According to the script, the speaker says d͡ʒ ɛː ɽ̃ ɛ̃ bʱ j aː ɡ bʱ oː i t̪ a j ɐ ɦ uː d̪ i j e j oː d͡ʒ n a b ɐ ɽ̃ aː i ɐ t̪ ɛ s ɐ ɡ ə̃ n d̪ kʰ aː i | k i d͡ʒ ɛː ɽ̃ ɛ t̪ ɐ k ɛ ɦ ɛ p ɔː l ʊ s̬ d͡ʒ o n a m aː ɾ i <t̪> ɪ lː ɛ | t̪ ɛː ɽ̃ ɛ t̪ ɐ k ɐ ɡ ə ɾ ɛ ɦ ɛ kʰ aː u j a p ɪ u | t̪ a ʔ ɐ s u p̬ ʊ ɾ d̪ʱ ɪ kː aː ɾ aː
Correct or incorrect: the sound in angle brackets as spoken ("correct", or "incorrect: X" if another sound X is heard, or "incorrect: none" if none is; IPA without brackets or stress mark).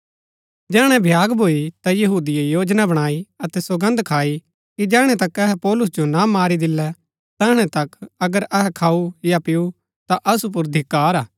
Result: incorrect: d̪